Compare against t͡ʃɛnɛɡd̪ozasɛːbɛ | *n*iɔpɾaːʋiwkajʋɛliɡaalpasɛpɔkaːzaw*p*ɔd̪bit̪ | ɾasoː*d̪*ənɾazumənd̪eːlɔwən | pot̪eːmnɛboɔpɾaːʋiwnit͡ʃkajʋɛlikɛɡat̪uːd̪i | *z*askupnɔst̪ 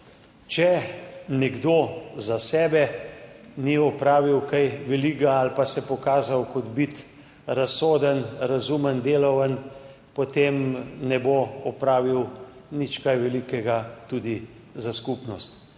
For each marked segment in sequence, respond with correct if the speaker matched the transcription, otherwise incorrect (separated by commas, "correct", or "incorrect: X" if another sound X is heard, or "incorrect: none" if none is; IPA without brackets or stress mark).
correct, incorrect: k, correct, correct